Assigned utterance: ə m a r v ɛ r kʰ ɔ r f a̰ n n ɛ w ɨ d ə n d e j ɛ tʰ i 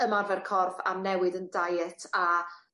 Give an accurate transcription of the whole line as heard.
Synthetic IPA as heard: ə m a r v ɛ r kʰ ɔ r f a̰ m n ɛ w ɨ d ə n d a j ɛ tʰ a